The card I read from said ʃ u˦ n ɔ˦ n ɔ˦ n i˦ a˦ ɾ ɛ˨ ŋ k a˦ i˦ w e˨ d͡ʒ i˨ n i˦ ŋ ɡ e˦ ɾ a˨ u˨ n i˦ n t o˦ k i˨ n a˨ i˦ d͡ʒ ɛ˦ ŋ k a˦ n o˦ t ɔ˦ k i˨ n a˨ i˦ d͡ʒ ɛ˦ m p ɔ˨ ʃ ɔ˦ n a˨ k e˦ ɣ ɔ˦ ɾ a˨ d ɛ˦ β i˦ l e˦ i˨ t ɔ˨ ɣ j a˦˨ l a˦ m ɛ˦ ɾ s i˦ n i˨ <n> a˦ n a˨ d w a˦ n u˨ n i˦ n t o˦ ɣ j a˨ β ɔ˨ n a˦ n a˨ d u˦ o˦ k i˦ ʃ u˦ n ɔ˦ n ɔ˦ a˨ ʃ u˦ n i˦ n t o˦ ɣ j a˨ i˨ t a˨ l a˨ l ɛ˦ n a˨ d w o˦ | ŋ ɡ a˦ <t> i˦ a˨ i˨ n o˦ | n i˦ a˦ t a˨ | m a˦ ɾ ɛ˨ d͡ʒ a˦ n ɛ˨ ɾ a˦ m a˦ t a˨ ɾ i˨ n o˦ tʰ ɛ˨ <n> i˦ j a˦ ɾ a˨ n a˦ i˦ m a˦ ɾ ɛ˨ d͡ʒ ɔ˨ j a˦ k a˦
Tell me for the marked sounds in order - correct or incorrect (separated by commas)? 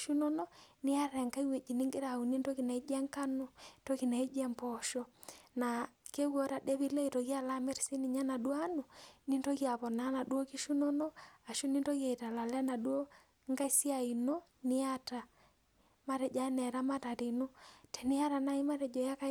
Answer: incorrect, incorrect, correct